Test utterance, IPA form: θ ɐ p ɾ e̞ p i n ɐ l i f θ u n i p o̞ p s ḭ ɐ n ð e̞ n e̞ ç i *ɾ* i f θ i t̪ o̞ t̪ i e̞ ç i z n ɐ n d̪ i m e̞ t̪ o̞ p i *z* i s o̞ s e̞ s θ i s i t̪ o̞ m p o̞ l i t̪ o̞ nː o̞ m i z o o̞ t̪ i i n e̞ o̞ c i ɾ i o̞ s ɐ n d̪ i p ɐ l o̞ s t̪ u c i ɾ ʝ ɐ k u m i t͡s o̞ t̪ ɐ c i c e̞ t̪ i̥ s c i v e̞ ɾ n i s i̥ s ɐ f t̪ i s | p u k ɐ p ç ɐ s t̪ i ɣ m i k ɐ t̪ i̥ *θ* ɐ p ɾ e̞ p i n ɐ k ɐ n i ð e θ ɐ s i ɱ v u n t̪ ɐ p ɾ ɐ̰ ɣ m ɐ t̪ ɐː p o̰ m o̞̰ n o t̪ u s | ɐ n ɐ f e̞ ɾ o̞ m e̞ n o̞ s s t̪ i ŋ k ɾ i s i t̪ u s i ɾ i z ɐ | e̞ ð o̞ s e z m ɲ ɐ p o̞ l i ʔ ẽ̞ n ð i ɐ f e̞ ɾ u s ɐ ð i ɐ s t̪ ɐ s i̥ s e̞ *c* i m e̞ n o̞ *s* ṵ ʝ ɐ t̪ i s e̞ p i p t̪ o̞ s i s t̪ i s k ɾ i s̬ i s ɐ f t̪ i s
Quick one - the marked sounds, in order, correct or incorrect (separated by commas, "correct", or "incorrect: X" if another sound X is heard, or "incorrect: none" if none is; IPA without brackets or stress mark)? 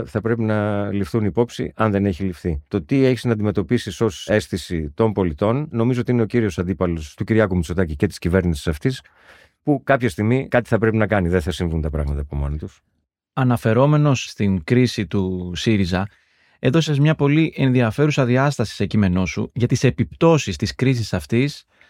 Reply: incorrect: l, incorrect: s, correct, correct, correct